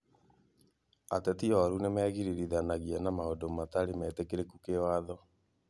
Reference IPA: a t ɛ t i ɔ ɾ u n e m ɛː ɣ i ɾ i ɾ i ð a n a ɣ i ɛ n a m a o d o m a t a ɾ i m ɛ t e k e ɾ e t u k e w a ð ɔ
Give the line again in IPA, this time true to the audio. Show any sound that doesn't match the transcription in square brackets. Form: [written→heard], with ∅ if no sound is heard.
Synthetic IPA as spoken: a t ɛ t i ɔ ɾ u n e m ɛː ɣ i ɾ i ɾ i ð a n a ɣ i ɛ n a m a o d o m a t a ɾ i m ɛ t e k e ɾ e [t→k] u k e w a ð ɔ